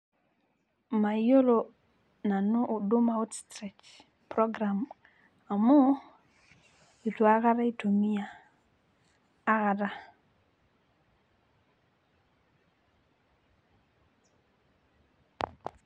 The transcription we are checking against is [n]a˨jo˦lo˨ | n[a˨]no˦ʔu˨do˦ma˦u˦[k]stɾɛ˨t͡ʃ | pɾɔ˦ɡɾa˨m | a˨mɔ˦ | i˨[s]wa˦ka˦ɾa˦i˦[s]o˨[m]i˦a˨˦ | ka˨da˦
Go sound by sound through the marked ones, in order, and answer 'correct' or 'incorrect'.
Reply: incorrect: m, correct, incorrect: t, incorrect: t, incorrect: t, correct

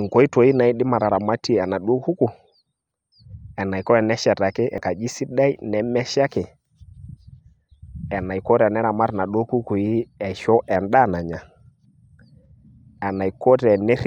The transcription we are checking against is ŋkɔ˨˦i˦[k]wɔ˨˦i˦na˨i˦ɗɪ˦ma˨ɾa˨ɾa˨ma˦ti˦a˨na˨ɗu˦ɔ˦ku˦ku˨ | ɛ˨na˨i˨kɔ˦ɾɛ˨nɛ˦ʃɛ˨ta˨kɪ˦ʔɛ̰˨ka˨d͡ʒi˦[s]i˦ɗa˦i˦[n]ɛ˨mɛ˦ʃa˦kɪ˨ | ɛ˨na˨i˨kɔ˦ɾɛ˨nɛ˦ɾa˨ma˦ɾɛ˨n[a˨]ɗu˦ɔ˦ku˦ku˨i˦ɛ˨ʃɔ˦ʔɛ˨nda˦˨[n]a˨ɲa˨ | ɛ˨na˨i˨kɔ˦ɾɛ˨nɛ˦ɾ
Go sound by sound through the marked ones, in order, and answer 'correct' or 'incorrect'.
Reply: incorrect: t, correct, correct, correct, correct

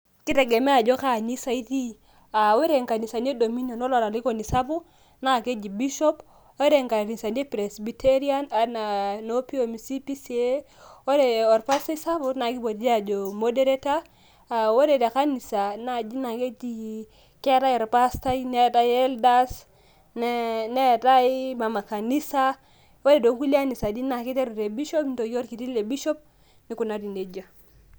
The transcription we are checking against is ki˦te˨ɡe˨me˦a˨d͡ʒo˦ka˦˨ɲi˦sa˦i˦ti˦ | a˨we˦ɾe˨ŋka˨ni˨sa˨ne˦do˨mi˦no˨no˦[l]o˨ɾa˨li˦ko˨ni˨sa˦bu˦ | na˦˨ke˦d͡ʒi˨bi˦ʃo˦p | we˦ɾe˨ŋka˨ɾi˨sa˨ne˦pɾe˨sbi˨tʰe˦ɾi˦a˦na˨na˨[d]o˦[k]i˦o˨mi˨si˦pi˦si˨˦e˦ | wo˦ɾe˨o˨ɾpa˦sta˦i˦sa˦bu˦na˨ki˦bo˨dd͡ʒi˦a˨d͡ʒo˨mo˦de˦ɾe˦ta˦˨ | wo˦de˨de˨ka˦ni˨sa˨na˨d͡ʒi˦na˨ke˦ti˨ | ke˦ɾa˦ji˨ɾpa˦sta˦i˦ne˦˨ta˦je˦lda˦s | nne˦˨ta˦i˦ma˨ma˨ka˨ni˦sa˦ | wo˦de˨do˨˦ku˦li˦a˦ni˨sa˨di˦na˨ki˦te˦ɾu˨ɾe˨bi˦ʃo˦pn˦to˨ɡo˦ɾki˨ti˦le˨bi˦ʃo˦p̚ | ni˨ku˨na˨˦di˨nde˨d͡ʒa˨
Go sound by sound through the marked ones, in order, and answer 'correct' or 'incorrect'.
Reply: correct, incorrect: n, incorrect: p

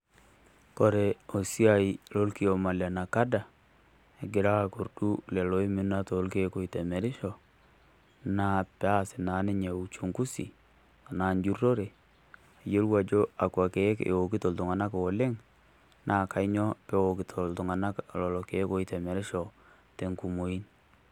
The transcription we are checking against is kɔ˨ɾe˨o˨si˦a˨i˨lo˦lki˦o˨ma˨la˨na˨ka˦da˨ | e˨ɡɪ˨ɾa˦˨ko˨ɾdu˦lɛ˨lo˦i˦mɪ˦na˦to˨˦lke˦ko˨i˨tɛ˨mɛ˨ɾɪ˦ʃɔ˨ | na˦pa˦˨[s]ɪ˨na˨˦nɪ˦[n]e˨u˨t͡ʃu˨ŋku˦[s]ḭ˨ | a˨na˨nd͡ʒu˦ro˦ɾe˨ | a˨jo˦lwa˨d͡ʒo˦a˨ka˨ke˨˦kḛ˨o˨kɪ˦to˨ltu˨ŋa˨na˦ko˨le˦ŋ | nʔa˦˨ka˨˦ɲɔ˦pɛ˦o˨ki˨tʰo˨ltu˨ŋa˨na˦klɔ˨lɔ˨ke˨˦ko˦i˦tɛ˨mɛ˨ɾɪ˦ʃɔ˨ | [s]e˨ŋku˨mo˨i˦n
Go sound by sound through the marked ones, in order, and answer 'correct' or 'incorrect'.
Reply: correct, incorrect: ɲ, correct, incorrect: t

